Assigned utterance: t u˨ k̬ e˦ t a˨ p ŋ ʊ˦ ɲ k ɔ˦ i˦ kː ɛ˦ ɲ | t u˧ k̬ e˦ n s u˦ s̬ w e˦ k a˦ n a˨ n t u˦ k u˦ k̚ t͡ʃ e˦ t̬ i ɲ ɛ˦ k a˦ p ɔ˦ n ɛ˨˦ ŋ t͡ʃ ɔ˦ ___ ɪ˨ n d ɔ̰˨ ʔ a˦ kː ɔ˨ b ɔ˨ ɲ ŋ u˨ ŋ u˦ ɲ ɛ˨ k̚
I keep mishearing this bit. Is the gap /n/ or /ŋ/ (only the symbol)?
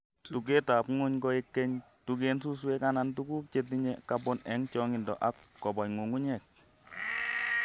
ŋ